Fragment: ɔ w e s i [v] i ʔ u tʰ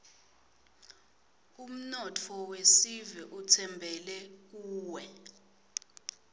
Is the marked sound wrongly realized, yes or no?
no